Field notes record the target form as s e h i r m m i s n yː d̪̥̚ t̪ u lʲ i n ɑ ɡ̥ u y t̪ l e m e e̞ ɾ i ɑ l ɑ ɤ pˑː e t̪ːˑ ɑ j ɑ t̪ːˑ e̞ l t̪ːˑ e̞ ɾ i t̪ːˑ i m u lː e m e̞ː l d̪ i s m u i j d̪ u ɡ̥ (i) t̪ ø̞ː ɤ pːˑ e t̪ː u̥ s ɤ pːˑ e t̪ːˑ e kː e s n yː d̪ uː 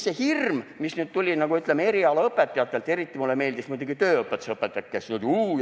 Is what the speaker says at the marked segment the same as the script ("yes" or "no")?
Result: yes